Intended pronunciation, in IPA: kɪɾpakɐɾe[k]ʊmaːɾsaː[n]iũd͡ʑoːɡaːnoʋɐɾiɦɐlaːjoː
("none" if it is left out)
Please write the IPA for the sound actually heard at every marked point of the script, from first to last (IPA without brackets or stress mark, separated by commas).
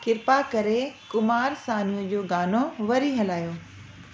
k, n